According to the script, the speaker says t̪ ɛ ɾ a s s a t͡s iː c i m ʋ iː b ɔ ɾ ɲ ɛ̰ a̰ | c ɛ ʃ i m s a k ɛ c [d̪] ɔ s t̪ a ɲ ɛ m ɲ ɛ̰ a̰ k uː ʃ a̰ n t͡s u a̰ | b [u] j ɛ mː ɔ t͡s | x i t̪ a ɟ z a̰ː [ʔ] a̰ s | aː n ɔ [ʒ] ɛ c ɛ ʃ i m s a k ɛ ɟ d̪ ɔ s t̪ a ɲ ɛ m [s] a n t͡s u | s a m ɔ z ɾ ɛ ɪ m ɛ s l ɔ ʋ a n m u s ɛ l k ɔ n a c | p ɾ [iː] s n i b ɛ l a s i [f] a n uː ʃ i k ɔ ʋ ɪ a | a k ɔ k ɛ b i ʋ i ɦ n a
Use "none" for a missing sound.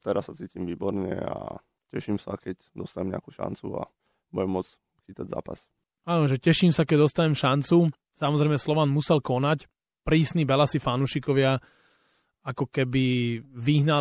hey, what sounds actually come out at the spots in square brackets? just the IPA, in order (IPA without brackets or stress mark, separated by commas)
d̪, u, p, ʒ, ʃ, iː, f